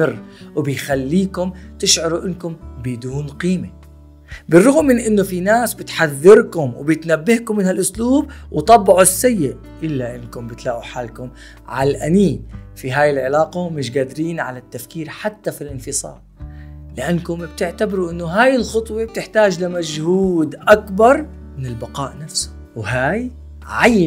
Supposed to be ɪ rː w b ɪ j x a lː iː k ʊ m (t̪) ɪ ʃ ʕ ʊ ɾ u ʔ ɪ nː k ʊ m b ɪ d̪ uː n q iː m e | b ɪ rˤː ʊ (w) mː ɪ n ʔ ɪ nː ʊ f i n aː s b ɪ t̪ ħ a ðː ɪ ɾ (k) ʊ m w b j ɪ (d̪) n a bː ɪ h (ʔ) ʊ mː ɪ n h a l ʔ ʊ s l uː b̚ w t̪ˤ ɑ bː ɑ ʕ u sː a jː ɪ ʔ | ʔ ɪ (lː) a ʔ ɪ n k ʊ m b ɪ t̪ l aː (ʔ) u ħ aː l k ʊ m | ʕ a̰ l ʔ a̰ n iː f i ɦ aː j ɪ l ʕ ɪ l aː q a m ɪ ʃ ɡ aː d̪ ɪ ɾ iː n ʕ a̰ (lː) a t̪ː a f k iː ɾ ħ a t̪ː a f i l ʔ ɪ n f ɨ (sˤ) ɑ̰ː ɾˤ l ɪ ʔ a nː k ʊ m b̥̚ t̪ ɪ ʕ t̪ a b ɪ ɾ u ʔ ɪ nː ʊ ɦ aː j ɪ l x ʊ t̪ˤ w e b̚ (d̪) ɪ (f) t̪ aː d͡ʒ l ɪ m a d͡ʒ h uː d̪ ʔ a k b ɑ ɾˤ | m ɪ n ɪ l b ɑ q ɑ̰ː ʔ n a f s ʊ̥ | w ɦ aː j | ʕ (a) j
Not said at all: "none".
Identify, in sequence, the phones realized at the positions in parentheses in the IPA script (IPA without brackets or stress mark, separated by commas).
t̪, ɣ, k, t̪, k, lː, ʔ, l, sˤ, t̪, ħ, a